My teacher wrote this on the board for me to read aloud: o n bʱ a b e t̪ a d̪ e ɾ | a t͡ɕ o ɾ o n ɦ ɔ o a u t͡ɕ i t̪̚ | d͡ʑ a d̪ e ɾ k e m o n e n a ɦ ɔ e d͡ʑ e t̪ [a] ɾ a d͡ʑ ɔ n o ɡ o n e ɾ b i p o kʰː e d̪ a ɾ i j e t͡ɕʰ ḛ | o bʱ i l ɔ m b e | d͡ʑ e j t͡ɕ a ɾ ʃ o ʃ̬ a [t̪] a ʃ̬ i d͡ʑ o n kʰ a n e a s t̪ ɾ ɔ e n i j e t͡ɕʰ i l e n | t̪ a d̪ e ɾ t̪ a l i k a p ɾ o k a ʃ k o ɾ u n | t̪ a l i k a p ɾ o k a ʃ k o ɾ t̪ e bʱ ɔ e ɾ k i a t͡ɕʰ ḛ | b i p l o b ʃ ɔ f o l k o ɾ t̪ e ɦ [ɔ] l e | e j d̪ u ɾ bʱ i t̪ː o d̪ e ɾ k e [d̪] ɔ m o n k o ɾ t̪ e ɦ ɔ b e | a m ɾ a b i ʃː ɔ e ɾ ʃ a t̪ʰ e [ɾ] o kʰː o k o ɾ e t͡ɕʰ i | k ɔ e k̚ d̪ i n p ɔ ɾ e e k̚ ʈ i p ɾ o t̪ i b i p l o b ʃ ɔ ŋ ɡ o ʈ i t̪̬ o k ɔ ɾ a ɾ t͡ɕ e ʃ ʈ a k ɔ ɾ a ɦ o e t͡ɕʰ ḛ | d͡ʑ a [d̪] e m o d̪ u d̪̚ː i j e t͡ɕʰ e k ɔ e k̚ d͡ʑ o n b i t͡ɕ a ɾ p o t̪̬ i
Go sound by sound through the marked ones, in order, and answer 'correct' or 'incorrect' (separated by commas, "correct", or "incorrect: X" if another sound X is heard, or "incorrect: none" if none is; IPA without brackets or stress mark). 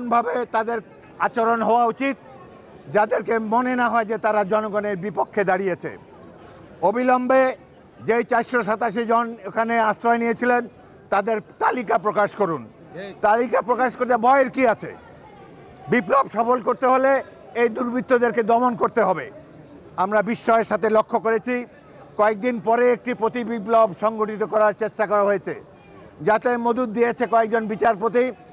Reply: correct, correct, incorrect: o, correct, incorrect: l, incorrect: t̪